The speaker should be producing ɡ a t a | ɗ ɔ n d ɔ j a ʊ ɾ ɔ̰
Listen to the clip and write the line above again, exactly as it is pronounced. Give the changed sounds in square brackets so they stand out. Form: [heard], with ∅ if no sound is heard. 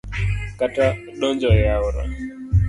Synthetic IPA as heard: [k] a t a | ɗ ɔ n [d͡ʒ] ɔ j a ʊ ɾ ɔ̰